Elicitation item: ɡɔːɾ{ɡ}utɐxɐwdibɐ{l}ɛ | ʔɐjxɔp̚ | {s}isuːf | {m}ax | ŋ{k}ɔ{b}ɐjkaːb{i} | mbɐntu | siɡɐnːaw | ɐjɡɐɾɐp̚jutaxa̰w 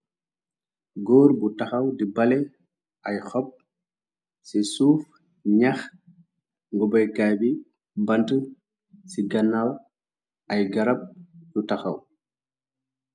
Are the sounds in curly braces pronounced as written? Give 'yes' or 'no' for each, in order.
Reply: no, yes, yes, no, no, yes, yes

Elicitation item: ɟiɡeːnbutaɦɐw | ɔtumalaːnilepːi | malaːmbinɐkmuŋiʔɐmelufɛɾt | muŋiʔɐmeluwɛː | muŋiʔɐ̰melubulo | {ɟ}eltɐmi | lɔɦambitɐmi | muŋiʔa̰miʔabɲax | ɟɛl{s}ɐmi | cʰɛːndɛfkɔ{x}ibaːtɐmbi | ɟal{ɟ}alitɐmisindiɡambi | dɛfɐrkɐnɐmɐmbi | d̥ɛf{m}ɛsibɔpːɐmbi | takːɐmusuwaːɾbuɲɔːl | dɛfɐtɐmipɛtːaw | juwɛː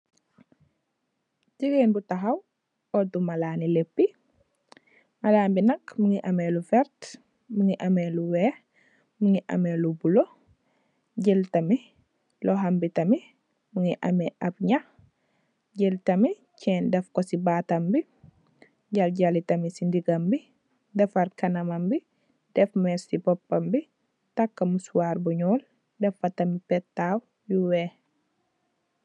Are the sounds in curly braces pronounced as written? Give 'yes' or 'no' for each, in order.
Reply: yes, no, no, yes, yes

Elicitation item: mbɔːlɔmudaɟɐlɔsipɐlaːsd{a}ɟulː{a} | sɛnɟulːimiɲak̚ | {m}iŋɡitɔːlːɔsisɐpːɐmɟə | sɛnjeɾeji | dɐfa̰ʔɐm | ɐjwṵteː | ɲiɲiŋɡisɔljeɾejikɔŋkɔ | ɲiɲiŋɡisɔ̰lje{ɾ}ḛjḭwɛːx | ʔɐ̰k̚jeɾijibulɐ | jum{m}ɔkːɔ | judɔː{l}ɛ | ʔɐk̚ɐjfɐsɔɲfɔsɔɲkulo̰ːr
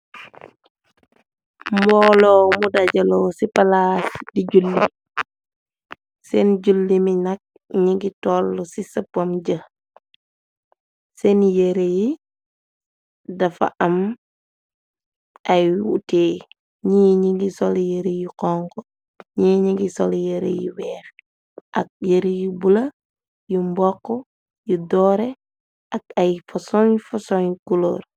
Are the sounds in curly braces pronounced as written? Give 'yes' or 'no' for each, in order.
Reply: no, no, no, yes, no, no

